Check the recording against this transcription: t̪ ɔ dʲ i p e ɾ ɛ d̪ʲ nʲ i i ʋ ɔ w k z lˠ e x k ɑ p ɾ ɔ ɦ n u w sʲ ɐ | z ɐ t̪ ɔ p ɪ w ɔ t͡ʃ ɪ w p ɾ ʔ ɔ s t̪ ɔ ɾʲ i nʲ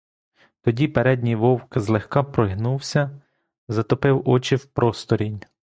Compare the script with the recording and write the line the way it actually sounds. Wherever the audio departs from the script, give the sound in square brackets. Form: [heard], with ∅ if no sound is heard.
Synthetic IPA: t̪ ɔ dʲ i p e ɾ ɛ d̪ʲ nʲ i [j] ʋ ɔ w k z lˠ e x k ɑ p ɾ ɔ ɦ n u w sʲ ɐ | z ɐ t̪ ɔ p ɪ w ɔ t͡ʃ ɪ w p ɾ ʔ ɔ s t̪ ɔ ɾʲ i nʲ

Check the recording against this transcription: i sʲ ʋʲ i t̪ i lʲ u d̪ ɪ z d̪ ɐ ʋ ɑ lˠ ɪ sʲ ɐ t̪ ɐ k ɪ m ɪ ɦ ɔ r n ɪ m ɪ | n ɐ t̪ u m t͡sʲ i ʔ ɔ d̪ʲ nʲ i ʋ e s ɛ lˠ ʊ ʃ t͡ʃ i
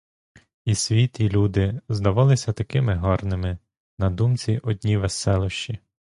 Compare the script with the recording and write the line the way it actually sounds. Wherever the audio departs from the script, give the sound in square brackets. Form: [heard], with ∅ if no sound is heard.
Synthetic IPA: i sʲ ʋʲ i t̪ i lʲ u d̪ ɪ z d̪ ɐ ʋ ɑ lˠ ɪ sʲ ɐ t̪ ɐ k ɪ m ɪ ɦ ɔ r n ɪ m ɪ | n ɐ [d̪] u m t͡sʲ i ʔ ɔ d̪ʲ nʲ i ʋ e s ɛ lˠ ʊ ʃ t͡ʃ i

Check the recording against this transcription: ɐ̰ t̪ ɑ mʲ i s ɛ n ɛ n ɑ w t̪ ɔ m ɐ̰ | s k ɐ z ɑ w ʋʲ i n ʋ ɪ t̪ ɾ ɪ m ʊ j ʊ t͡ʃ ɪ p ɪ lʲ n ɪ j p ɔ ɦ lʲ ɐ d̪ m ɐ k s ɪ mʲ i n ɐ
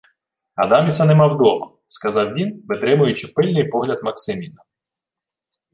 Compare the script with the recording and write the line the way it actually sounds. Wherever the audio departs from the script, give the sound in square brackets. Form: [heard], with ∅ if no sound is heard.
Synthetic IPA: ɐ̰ [d̪] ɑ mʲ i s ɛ n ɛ [m] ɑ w [d̪] ɔ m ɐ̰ | s k ɐ z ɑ w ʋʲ i n ʋ ɪ t̪ ɾ ɪ m ʊ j ʊ t͡ʃ ɪ p ɪ lʲ n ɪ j p ɔ ɦ lʲ ɐ d̪ m ɐ k s ɪ mʲ i n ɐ

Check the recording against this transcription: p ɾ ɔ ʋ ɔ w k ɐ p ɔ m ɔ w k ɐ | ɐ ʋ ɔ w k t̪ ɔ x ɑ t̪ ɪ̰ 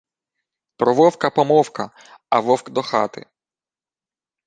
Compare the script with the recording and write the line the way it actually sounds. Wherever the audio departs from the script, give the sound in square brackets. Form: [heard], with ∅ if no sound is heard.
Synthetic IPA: p ɾ ɔ ʋ ɔ w k ɐ p ɔ m ɔ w k ɐ | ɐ ʋ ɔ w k [d̪] ɔ x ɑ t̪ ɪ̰

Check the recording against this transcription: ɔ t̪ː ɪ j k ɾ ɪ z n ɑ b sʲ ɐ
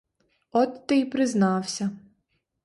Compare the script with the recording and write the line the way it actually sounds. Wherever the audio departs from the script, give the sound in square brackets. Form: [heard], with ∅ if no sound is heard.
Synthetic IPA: ɔ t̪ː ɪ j [p] ɾ ɪ z n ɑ [w] sʲ ɐ

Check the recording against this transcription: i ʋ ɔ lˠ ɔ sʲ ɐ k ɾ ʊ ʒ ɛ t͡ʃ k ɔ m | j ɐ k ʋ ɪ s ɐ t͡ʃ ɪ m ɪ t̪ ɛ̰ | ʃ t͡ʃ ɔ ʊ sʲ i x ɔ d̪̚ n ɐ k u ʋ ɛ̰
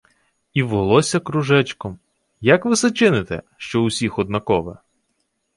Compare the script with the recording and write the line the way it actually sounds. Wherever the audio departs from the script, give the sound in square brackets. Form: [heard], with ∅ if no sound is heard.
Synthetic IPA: i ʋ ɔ lˠ ɔ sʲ ɐ k ɾ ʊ ʒ ɛ t͡ʃ k ɔ m | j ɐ k ʋ ɪ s ɐ t͡ʃ ɪ [n] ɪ t̪ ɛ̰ | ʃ t͡ʃ ɔ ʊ sʲ i x ɔ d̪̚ n ɐ k [ɔ] ʋ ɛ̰

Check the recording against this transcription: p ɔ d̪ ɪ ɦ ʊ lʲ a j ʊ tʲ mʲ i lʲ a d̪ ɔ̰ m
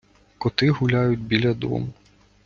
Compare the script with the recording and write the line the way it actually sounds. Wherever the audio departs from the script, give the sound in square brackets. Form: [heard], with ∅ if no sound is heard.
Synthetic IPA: [k] ɔ [t̪] ɪ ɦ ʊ lʲ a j ʊ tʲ [bʲ] i lʲ [ɐ] d̪ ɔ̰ m

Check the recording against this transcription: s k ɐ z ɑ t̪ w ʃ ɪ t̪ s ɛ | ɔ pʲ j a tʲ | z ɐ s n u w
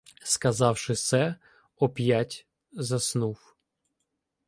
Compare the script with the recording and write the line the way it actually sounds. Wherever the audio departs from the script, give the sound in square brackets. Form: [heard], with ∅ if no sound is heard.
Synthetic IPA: s k ɐ z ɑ [∅] w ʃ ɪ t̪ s ɛ | ɔ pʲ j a tʲ | z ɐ s n u w

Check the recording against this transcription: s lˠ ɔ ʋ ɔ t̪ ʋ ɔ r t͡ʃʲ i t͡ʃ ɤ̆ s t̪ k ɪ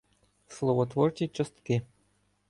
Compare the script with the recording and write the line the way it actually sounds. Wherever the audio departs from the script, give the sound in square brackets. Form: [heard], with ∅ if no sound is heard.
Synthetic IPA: s lˠ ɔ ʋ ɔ t̪ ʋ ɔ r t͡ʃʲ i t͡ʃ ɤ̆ s t̪ k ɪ

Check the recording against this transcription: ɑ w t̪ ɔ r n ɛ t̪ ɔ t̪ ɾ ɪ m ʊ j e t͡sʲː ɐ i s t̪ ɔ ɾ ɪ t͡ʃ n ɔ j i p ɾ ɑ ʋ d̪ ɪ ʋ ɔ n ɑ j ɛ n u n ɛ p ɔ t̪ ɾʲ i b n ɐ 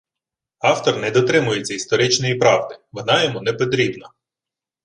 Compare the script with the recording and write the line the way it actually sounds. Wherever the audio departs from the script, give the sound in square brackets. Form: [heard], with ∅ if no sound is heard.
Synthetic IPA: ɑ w t̪ ɔ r n ɛ [d̪] ɔ t̪ ɾ ɪ m ʊ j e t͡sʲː ɐ i s t̪ ɔ ɾ ɪ t͡ʃ n ɔ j i p ɾ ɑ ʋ d̪ ɪ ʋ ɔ n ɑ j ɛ [m] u n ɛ p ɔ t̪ ɾʲ i b n ɐ

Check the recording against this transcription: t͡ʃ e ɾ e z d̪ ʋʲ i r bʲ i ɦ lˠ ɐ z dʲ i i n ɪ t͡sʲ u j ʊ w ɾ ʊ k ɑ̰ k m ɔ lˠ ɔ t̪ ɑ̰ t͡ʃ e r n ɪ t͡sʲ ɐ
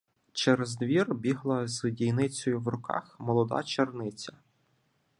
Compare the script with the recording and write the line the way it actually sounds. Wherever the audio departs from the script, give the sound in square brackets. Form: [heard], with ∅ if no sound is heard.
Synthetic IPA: t͡ʃ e ɾ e z d̪ ʋʲ i r bʲ i ɦ lˠ ɐ z dʲ i [j] n ɪ t͡sʲ [ɔ] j ʊ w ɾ ʊ k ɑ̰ [x] m ɔ lˠ ɔ [d̪] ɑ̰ t͡ʃ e r n ɪ t͡sʲ ɐ

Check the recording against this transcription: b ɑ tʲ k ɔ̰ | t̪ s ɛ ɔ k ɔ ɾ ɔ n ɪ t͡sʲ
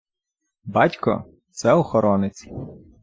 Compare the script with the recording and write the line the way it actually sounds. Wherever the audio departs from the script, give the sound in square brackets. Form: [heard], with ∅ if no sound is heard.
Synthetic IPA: b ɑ tʲ k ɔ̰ | t̪ s ɛ ɔ [x] ɔ ɾ ɔ n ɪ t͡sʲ

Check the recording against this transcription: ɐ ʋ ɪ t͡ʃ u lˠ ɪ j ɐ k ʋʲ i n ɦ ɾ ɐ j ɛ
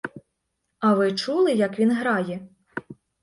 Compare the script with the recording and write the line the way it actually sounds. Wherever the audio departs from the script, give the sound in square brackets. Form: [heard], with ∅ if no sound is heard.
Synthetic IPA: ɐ ʋ ɪ t͡ʃ u lˠ ɪ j ɐ k ʋʲ i n ɦ ɾ [ɑ] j ɛ

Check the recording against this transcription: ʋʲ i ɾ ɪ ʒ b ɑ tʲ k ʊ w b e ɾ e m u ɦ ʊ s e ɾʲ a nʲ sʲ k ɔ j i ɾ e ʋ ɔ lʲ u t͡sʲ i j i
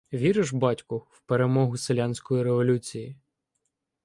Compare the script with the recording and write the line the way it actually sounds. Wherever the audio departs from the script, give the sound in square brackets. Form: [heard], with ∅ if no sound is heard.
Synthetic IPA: ʋʲ i ɾ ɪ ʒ b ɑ tʲ k ʊ w [p] e ɾ e m [ɔ] ɦ ʊ s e [lʲ] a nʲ sʲ k ɔ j i ɾ e ʋ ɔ lʲ u t͡sʲ i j i

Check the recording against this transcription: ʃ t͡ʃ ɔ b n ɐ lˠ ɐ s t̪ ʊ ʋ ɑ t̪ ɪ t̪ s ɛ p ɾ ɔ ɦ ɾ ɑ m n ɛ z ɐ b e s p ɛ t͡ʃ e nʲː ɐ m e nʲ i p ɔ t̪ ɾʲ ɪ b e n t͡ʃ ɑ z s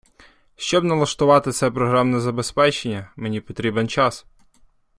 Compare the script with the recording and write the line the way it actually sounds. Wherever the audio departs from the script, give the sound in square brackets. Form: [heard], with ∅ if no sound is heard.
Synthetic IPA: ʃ t͡ʃ ɔ b n ɐ lˠ ɐ [ʃ] t̪ ʊ ʋ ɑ t̪ ɪ t̪ s ɛ p ɾ ɔ ɦ ɾ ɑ m n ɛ z ɐ b e s p ɛ t͡ʃ e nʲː ɐ m e nʲ i p ɔ t̪ ɾʲ [i] b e n t͡ʃ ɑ [∅] s

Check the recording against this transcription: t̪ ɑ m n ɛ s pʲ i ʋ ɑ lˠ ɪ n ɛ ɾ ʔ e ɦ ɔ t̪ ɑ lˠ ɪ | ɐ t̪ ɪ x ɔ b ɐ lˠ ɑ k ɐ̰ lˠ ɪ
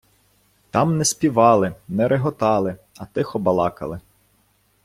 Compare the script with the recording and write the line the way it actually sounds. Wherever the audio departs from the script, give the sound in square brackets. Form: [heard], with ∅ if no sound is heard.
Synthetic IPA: t̪ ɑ m n ɛ s pʲ i ʋ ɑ lˠ ɪ n ɛ ɾ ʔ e ɦ ɔ t̪ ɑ lˠ ɪ | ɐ t̪ ɪ x ɔ b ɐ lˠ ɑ k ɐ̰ lˠ ɪ

